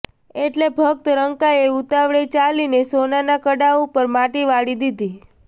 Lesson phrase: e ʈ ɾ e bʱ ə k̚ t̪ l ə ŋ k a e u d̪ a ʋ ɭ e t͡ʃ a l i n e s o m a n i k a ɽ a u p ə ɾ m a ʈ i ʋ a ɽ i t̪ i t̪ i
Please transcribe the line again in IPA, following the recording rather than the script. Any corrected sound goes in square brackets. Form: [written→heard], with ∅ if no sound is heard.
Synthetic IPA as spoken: e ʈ [ɾ→l] e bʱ ə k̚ t̪ [l→ɾ] ə ŋ k a e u [d̪→t̪] a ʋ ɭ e t͡ʃ a l i n e s o [m→n] a n [i→a] k [a→ə] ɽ a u p ə ɾ m a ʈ i ʋ a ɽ i [t̪→d̪] i [t̪→d̪] i

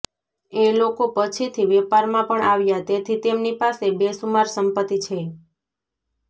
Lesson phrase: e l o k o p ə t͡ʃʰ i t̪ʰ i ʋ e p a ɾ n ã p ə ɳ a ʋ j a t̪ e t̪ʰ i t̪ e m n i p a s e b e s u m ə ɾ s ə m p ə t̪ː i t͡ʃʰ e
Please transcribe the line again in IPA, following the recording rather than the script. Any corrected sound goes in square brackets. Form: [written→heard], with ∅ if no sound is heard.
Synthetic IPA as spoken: e l o k o p ə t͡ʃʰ i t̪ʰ i ʋ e p a ɾ [n→m] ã p ə ɳ a ʋ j a t̪ e t̪ʰ i t̪ e m n i p a s e b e s u m [ə→a] ɾ s ə m p ə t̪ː i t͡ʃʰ e

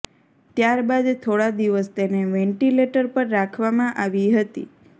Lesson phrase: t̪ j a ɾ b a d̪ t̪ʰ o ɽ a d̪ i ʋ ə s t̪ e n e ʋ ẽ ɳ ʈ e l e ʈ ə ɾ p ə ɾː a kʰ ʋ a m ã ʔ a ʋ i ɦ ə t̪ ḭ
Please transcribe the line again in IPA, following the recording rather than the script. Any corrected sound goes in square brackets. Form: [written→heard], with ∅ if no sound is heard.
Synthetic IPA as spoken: t̪ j a ɾ b a d̪ t̪ʰ o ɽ a d̪ i ʋ ə s t̪ e n e ʋ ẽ ɳ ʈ [e→i] l e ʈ ə ɾ p ə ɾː a kʰ ʋ a m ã ʔ a ʋ i ɦ ə t̪ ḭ

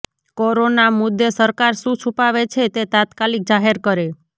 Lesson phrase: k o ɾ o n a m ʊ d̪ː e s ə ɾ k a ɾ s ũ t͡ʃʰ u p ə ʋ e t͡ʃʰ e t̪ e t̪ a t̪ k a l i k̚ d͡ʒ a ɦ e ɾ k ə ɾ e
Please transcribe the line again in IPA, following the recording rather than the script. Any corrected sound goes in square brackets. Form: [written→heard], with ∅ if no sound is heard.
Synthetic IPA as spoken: k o ɾ o n a m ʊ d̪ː e s ə ɾ k a ɾ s ũ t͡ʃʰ u p [ə→a] ʋ e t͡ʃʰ e t̪ e t̪ a t̪ k a l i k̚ d͡ʒ a ɦ e ɾ k ə ɾ e

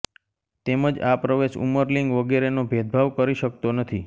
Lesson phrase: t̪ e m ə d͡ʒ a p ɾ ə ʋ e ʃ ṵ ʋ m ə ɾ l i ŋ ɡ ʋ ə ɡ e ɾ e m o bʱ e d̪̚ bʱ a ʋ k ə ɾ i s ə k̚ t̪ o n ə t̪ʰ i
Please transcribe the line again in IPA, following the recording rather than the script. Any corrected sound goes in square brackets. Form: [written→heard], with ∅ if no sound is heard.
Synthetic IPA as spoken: t̪ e m ə d͡ʒ a p ɾ ə ʋ e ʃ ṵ [ʋ→∅] m ə ɾ l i ŋ ɡ ʋ ə ɡ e ɾ e [m→n] o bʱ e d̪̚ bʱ a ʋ k ə ɾ i [s→ʃ] ə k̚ t̪ o n ə t̪ʰ i

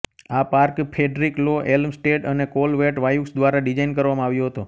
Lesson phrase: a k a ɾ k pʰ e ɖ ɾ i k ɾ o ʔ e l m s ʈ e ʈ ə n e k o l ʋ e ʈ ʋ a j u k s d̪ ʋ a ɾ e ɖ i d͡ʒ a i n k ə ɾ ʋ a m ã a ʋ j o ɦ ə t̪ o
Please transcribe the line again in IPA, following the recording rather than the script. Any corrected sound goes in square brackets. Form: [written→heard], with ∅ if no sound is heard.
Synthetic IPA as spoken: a [k→p] a ɾ k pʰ e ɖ ɾ i k [ɾ→l] o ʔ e l m s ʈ e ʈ ə n e k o l ʋ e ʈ ʋ a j u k s d̪ ʋ a ɾ [e→a] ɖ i d͡ʒ a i n k ə ɾ ʋ a m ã a ʋ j o ɦ ə t̪ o

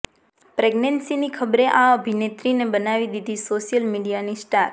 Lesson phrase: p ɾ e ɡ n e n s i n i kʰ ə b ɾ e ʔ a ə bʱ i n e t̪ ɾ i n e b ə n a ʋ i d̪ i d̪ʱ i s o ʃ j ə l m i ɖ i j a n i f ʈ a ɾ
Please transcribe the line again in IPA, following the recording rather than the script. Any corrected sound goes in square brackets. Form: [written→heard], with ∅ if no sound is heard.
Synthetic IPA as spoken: p ɾ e ɡ n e n s i n i kʰ ə b ɾ e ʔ a ə bʱ i n e t̪ ɾ i n e b ə n a ʋ i d̪ i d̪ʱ i s o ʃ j ə l m i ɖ i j a n i [f→s] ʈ a ɾ

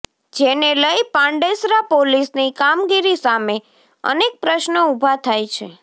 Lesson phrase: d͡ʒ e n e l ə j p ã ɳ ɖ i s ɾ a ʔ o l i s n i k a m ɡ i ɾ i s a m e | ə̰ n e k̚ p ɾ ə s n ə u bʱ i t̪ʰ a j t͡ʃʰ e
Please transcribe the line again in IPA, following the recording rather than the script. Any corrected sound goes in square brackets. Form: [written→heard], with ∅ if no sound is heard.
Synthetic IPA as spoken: d͡ʒ e n e l ə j p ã ɳ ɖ [i→e] s ɾ a [ʔ→p] o l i s n i k a m ɡ i ɾ i s a m e | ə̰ n e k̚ p ɾ ə [s→ʃ] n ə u bʱ [i→a] t̪ʰ a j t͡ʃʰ e

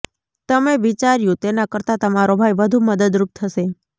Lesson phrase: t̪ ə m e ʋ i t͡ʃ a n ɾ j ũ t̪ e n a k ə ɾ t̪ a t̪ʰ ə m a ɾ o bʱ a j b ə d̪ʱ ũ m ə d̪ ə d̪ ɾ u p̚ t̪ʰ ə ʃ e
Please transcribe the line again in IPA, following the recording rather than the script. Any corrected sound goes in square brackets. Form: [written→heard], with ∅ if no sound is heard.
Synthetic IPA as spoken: t̪ ə m e ʋ i t͡ʃ a [n→∅] ɾ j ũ t̪ e n a k ə ɾ t̪ a [t̪ʰ→t̪] ə m a ɾ o bʱ a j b ə d̪ʱ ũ m ə d̪ ə d̪ ɾ u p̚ t̪ʰ ə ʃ e

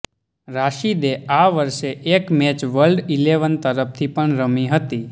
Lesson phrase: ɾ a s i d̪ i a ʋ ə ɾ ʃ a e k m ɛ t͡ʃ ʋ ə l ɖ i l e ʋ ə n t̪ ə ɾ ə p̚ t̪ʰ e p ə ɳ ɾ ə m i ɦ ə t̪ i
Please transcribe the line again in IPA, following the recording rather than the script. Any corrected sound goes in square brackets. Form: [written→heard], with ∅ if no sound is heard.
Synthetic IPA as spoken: ɾ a [s→ʃ] i d̪ [i→e] a ʋ ə ɾ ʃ [a→e] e k m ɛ t͡ʃ ʋ ə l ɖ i l e ʋ ə n t̪ ə ɾ ə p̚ t̪ʰ [e→i] p ə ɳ ɾ ə m i ɦ ə t̪ i

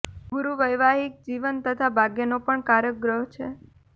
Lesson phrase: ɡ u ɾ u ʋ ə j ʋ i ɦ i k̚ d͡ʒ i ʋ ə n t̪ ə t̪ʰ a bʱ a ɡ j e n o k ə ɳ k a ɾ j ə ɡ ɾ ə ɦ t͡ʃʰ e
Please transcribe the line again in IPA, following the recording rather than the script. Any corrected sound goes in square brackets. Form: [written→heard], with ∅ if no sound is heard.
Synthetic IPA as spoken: ɡ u ɾ u ʋ ə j ʋ [i→a] ɦ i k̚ d͡ʒ i ʋ ə n t̪ ə t̪ʰ a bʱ a ɡ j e n o [k→p] ə ɳ k a ɾ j ə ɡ ɾ ə ɦ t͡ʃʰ e

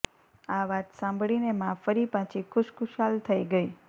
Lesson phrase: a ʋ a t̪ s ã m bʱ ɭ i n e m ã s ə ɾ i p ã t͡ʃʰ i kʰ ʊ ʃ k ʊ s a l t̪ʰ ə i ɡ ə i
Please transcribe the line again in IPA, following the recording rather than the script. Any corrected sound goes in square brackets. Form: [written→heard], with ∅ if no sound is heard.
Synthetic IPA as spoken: a ʋ a t̪ s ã m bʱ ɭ i n e m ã [s→f] ə ɾ i p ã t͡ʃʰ i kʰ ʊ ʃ k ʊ [s→ʃ] a l t̪ʰ ə i ɡ ə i

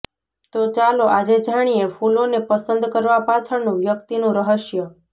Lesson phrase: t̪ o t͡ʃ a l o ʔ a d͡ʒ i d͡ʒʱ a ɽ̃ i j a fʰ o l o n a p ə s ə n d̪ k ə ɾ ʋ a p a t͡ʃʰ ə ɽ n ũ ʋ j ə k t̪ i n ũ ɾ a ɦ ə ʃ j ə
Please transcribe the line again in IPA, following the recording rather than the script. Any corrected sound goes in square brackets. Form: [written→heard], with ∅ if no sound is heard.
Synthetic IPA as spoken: t̪ o t͡ʃ a l o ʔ a d͡ʒ [i→e] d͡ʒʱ a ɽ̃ i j [a→e] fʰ [o→u] l o n [a→e] p ə s ə n d̪ k ə ɾ ʋ a p a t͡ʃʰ ə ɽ n ũ ʋ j ə k t̪ i n ũ ɾ [a→ə] ɦ ə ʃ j ə

